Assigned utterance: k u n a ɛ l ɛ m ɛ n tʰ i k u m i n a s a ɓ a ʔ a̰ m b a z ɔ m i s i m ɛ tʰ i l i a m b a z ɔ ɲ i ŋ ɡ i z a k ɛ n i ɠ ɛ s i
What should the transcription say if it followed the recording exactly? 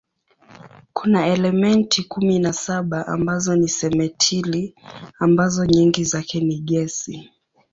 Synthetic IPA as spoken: k u n a ɛ l ɛ m ɛ n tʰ i k u m i n a s a ɓ a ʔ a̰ m b a z ɔ n i s ɛ m ɛ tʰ i l i a m b a z ɔ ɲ i ŋ ɡ i z a k ɛ n i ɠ ɛ s i